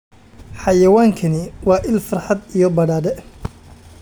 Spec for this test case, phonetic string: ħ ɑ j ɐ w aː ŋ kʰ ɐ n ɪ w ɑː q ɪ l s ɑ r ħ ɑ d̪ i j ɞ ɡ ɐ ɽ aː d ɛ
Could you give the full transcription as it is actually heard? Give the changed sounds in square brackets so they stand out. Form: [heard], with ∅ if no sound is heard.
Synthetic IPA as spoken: ħ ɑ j ɐ w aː ŋ kʰ ɐ n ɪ w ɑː [ʔ] ɪ l [f] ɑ r ħ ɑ d̪ i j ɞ [b] ɐ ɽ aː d ɛ